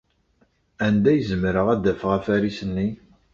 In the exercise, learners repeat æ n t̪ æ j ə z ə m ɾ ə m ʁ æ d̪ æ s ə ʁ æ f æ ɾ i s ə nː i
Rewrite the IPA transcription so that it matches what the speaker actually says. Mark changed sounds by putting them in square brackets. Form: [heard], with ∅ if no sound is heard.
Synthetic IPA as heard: æ n [d̪] æ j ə z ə m ɾ ə [∅] ʁ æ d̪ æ [f] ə ʁ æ f æ ɾ i s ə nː i